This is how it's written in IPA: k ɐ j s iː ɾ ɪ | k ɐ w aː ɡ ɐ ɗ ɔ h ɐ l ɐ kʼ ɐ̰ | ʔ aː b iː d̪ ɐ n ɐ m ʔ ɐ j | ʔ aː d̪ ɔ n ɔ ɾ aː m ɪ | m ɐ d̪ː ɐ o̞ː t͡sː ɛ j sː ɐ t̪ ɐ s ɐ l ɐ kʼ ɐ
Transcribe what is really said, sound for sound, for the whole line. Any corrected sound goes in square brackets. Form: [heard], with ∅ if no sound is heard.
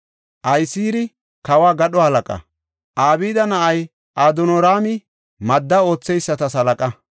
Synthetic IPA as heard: [ʔ] ɐ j s iː ɾ ɪ | k ɐ w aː ɡ ɐ ɗ ɔ h ɐ l ɐ kʼ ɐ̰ | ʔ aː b iː d̪ ɐ n ɐ [∅] ʔ ɐ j | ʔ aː d̪ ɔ n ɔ ɾ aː m ɪ | m ɐ d̪ː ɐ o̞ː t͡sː ɛ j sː ɐ t̪ ɐ s ɐ l ɐ kʼ ɐ